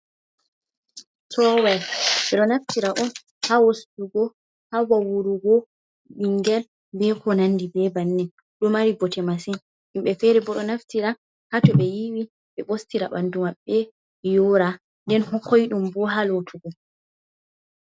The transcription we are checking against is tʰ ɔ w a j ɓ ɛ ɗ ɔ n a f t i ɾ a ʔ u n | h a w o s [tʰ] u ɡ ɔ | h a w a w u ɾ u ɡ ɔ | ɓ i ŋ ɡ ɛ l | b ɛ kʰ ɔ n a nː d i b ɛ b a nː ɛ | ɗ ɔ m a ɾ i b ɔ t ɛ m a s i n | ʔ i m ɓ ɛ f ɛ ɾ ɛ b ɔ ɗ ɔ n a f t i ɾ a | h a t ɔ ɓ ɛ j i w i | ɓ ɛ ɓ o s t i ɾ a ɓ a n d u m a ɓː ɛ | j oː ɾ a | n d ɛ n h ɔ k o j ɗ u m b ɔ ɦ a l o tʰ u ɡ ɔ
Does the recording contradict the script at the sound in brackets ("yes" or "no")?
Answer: yes